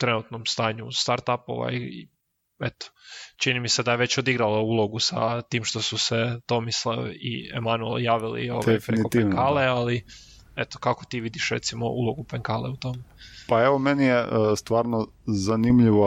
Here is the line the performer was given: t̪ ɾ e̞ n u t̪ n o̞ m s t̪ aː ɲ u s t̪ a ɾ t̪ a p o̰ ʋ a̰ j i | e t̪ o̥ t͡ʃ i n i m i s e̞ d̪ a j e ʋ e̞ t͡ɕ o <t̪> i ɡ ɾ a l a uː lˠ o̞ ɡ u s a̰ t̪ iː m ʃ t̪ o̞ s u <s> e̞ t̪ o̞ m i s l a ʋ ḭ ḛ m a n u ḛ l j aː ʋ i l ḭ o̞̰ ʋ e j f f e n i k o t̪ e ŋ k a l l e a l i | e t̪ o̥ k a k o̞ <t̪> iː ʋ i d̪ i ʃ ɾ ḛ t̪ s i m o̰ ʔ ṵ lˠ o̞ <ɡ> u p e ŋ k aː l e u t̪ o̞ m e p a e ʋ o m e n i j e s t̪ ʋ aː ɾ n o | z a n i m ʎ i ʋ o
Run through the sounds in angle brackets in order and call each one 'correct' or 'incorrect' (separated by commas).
incorrect, correct, correct, correct